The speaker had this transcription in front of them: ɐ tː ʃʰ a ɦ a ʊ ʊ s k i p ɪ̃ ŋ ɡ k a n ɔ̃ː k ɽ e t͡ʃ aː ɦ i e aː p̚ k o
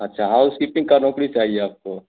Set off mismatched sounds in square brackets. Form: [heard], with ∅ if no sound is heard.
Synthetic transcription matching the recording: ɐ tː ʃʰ a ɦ a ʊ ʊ s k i p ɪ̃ ŋ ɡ k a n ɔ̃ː k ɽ [i] t͡ʃ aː ɦ i e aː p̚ k o